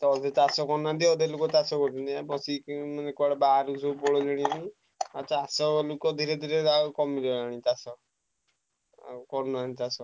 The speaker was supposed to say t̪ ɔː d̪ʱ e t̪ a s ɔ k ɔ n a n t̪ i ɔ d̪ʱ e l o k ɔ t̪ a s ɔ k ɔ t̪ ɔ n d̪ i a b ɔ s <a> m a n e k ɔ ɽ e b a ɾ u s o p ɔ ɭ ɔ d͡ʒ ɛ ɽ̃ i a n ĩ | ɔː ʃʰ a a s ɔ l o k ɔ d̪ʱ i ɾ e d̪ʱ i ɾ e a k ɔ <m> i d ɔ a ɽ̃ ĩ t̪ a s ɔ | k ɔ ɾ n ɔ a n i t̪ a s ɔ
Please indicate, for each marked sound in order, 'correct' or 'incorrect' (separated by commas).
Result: incorrect, correct